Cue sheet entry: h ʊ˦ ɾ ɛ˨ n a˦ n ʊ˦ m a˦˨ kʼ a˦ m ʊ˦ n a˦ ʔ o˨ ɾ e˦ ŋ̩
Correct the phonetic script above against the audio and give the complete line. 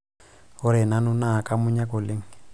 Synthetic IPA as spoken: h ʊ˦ ɾ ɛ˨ n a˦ n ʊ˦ n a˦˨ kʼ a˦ m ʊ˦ ɲ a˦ k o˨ l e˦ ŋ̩